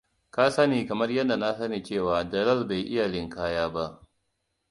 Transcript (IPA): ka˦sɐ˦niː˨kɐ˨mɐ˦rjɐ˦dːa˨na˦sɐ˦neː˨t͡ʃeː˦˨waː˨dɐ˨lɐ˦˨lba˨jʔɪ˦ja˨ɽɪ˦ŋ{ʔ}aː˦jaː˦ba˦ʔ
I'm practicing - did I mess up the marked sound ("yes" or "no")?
yes